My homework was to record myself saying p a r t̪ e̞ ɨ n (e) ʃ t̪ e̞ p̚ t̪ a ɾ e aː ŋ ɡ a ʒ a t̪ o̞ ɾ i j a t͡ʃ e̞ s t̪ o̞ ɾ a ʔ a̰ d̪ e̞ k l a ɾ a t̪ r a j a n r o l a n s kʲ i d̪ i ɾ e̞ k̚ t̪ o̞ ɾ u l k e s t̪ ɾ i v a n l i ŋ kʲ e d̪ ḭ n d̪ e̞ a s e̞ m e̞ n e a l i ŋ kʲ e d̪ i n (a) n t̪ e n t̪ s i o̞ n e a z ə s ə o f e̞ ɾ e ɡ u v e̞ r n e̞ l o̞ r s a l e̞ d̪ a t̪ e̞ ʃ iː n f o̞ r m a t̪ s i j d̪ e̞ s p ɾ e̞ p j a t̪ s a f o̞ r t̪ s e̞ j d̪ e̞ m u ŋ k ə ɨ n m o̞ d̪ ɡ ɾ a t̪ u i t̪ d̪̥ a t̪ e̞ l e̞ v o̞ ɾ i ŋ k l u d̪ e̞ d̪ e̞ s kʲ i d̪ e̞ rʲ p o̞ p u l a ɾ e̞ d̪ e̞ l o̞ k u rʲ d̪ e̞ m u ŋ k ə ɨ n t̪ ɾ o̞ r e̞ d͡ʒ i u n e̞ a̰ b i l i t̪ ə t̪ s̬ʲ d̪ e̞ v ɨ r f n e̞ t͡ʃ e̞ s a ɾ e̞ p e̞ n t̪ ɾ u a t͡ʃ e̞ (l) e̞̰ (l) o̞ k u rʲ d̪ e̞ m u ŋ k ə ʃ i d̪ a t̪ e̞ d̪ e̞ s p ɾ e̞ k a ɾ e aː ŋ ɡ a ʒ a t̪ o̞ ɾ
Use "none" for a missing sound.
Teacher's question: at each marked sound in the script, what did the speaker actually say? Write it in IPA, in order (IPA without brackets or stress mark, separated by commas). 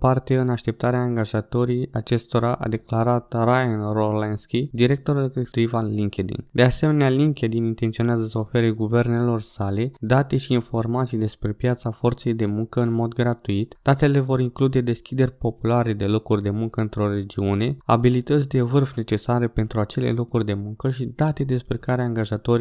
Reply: a, i, l, l